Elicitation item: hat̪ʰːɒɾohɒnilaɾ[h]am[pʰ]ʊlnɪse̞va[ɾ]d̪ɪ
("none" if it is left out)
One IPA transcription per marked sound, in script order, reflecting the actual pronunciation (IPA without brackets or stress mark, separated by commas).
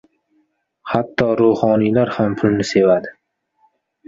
h, pʰ, none